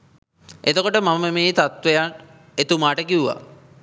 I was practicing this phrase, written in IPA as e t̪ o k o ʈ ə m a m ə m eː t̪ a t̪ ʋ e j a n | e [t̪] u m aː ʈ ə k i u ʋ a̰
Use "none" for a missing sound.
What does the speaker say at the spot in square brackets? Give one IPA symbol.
t̪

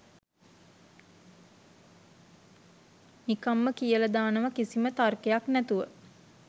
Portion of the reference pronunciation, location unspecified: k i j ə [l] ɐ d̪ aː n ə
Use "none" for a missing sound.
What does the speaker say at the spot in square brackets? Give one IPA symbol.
l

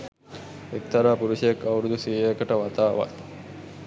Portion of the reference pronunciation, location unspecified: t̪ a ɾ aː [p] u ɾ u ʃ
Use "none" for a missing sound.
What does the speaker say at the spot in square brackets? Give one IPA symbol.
p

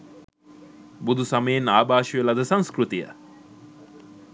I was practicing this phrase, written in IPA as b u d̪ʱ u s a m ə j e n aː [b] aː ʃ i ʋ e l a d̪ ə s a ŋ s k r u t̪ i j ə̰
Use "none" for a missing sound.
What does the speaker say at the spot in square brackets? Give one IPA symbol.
b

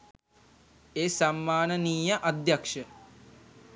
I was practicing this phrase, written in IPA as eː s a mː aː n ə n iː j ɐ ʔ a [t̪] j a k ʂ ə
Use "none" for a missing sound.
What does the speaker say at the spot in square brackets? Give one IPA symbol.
d̪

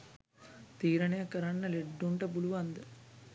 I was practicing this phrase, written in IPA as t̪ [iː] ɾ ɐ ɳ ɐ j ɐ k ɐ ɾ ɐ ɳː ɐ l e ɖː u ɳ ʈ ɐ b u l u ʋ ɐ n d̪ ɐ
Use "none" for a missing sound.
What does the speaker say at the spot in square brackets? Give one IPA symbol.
iː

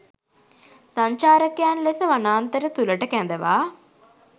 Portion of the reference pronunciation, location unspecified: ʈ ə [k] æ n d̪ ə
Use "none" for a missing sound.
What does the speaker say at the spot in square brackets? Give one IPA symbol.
k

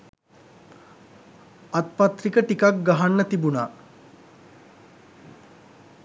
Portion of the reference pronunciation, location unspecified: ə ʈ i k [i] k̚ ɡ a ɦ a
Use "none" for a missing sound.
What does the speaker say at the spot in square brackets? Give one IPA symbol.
a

